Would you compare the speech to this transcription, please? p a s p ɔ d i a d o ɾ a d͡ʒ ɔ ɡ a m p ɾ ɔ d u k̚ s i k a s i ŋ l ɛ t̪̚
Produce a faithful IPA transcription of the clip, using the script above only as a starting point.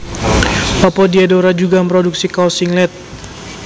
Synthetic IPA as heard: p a p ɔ d i a d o ɾ a d͡ʒ u ɡ a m p ɾ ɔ d u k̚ s i k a s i ŋ l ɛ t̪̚